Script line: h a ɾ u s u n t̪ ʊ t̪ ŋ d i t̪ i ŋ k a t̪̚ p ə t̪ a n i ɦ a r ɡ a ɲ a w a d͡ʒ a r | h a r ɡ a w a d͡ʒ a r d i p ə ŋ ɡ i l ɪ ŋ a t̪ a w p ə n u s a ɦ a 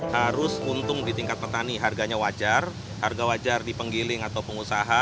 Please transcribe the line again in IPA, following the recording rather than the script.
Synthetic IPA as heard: h a ɾ ʊ s u n t̪ ʊ ŋ d i t̪ i ŋ k a t̪̚ p ə t̪ a n i ɦ a r ɡ a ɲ a w a d͡ʒ a r | h a r ɡ a w a d͡ʒ a r d i p ə ŋ ɡ i l ɪ ŋ a t̪ a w p ə ŋ u s a ɦ a